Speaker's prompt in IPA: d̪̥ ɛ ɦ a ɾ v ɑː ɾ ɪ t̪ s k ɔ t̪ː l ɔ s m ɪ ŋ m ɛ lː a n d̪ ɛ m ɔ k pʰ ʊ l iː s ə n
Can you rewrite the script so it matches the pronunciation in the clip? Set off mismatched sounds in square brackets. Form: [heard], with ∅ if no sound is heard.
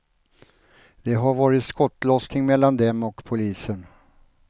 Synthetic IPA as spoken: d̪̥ ɛ ɦ a ɾ v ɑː ɾ ɪ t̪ s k ɔ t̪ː l ɔ s [n] ɪ ŋ m ɛ lː a n d̪ ɛ m ɔ k pʰ ʊ l iː s ə n

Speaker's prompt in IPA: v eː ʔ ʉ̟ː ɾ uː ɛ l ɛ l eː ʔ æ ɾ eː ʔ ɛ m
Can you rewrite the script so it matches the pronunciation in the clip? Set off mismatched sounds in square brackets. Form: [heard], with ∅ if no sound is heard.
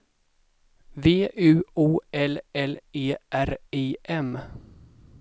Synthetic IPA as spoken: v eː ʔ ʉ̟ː [∅] uː ɛ l ɛ l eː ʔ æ ɾ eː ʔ ɛ m

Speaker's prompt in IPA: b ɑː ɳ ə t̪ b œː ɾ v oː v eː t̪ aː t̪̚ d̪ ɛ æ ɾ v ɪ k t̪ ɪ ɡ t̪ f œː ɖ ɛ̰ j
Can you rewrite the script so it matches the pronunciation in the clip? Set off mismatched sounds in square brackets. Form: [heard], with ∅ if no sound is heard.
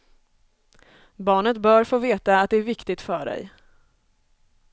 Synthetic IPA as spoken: b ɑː ɳ ə t̪ b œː ɾ [f] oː v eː t̪ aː t̪̚ d̪ ɛ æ ɾ v ɪ k t̪ ɪ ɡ t̪ f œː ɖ ɛ̰ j

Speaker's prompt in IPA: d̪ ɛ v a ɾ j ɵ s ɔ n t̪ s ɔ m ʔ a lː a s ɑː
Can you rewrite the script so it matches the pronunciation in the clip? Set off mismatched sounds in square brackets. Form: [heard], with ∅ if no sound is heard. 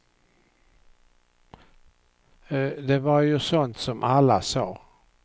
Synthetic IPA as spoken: d̪ ɛ v a ɾ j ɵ s ɔ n t̪ s ɔ m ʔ a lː a s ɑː

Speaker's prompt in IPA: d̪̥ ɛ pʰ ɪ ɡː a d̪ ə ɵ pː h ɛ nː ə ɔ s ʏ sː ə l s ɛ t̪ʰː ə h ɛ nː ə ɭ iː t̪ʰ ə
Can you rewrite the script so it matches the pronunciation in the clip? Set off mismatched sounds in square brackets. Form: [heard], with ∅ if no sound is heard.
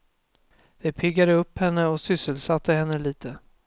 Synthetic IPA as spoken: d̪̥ ɛ pʰ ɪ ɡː a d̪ ə ɵ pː h ɛ nː ə ɔ s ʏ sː ə l s [a] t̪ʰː ə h ɛ nː ə [l] iː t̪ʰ ə

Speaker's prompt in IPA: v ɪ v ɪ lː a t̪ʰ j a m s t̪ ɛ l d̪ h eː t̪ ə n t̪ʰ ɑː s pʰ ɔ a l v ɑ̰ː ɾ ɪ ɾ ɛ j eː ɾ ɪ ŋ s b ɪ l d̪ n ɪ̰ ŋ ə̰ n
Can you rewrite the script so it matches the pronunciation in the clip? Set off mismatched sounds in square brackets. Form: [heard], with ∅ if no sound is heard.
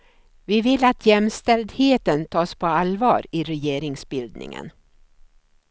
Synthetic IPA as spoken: v ɪ v ɪ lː a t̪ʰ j [ɛ] m s t̪ ɛ l d̪ h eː t̪ ə n t̪ʰ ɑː s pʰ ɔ a l v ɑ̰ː ɾ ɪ ɾ ɛ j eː ɾ ɪ ŋ s b ɪ l d̪ n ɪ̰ ŋ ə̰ n

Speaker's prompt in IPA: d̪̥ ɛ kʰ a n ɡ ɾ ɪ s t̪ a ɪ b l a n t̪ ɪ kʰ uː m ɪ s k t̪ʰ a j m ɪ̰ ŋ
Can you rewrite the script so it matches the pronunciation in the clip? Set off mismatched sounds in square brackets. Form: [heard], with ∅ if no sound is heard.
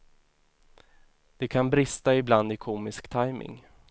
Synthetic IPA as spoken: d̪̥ ɛ kʰ a n [b] ɾ ɪ s t̪ a ɪ b l a n [d̪] ɪ kʰ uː m ɪ s k t̪ʰ a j m ɪ̰ ŋ

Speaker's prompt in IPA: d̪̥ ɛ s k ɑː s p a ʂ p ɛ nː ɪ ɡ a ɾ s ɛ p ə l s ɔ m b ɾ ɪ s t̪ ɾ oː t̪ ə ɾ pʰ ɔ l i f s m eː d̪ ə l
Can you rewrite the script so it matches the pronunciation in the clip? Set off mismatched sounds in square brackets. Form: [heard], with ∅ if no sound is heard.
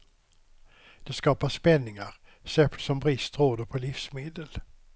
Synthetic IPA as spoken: d̪̥ ɛ s k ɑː [∅] p a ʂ p ɛ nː ɪ [ŋ] a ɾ s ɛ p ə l s ɔ m b ɾ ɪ s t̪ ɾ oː [d̪] ə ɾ pʰ ɔ l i f s m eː d̪ ə l

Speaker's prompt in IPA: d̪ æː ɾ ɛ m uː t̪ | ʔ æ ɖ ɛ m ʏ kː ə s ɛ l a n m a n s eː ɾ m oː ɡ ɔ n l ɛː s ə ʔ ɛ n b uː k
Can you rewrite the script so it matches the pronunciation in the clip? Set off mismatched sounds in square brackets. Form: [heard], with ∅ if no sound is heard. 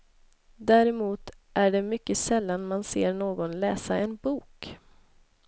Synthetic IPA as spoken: d̪ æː ɾ ɛ m uː t̪ | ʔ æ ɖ ɛ m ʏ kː ə s ɛ [lː] a n m a n s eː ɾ [ɳ] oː ɡ ɔ n l ɛː s [a] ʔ ɛ n b uː k

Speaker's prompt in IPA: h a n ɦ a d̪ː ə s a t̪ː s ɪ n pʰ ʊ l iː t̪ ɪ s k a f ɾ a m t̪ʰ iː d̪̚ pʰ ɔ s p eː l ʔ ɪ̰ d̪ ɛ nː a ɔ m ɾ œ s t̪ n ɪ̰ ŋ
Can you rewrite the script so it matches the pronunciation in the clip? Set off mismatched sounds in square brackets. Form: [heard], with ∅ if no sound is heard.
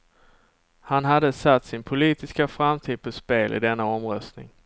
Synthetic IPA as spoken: h a n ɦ a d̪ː ə s a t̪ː s ɪ n pʰ ʊ l iː t̪ ɪ s k a f ɾ a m t̪ʰ iː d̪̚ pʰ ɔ s p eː l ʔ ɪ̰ d̪ ɛ nː a ɔ m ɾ œ s t̪ n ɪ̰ ŋ

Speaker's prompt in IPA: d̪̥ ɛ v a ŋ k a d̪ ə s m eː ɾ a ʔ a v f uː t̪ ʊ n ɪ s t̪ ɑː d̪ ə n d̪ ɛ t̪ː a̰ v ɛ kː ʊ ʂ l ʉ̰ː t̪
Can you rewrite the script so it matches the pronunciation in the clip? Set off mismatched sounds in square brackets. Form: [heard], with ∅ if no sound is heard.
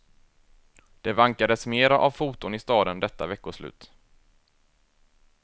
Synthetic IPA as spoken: d̪̥ ɛ v a ŋ k a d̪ ə s m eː ɾ a ʔ a v f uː t̪ ʊ n ɪ s t̪ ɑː d̪ ə n d̪ ɛ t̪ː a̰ v ɛ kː ʊ ʂ l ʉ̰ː t̪

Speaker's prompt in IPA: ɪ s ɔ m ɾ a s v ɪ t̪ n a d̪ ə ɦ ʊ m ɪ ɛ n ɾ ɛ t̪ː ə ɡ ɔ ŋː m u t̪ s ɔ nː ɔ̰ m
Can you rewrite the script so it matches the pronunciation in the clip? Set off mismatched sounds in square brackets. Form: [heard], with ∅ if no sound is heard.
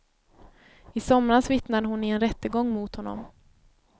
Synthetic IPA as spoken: ɪ s ɔ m ɾ a s v ɪ t̪ n a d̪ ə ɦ ʊ [n] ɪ ɛ n ɾ ɛ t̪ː ə ɡ ɔ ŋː m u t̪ [h] ɔ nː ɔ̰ m

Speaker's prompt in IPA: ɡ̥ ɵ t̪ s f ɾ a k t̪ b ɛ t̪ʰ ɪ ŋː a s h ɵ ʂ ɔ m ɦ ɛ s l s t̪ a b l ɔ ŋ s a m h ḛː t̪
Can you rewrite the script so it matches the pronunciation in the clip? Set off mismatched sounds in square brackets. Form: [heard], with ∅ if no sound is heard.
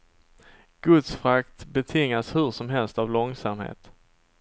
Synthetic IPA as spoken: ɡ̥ ɵ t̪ s f ɾ a k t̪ b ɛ t̪ʰ ɪ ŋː a s h ɵ ʂ ɔ m ɦ ɛ [∅] l s t̪ a [v] l ɔ ŋ s a m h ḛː t̪

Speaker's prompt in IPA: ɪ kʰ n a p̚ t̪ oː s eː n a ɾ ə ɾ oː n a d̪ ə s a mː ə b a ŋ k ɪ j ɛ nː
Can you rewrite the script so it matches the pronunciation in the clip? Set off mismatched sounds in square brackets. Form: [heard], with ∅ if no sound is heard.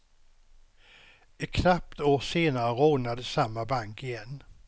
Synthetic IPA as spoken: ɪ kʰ n a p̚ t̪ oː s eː n a ɾ ə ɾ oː n a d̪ ə s a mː [a] b a ŋ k ɪ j ɛ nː

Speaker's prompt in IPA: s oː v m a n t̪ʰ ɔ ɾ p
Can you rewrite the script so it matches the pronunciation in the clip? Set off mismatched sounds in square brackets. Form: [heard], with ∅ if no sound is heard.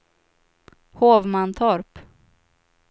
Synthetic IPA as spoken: [h] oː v m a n t̪ʰ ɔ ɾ p

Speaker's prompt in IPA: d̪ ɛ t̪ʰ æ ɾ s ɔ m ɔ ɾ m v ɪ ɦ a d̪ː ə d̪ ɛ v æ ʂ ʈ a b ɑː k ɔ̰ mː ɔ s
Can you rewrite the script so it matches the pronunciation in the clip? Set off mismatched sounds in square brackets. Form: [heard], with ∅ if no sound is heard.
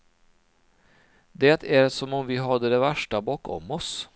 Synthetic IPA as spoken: d̪ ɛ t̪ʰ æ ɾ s ɔ m ɔ [∅] m v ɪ ɦ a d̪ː ə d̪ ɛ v æ ʂ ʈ a b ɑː k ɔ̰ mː ɔ s

